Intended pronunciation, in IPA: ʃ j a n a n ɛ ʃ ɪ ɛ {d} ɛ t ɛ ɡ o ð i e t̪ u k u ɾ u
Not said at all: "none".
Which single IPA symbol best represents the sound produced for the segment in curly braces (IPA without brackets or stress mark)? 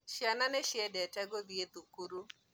d